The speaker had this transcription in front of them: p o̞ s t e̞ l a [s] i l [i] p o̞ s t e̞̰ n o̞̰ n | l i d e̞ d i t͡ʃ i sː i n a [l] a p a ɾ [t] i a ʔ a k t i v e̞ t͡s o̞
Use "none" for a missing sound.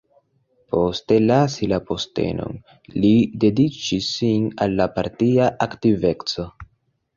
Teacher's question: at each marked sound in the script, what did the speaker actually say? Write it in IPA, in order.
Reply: s, a, lː, t

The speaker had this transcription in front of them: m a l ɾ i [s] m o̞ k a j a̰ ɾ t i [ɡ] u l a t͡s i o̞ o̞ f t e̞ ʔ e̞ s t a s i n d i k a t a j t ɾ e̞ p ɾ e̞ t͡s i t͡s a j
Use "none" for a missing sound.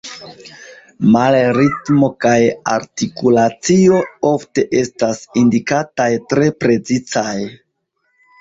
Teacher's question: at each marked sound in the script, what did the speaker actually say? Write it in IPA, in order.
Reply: t, k

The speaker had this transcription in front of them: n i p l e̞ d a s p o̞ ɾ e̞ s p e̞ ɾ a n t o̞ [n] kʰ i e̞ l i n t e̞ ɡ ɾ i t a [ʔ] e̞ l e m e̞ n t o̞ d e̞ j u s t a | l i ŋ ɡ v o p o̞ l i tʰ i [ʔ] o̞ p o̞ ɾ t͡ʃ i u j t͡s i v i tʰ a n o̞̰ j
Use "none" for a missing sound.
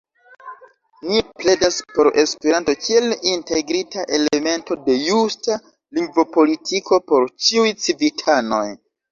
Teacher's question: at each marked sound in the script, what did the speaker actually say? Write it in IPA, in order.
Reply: none, ʔ, k

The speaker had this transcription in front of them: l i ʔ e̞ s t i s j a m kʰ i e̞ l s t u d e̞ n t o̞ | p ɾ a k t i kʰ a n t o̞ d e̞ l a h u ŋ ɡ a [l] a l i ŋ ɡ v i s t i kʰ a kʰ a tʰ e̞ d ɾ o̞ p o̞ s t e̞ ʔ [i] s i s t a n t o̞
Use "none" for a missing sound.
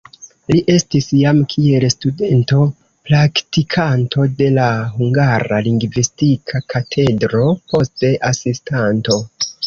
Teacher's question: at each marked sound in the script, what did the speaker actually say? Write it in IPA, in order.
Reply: ɾ, a

